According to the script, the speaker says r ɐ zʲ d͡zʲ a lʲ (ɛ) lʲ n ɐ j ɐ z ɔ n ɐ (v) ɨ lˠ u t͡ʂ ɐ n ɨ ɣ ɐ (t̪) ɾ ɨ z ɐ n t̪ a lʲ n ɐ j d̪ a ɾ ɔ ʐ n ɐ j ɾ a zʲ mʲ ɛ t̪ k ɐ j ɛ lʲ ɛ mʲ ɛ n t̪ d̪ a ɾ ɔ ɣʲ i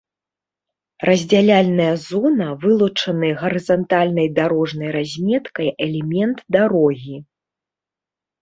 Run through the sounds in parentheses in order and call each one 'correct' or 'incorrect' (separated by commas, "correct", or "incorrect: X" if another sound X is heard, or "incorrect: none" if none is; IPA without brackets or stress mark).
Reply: incorrect: a, correct, incorrect: none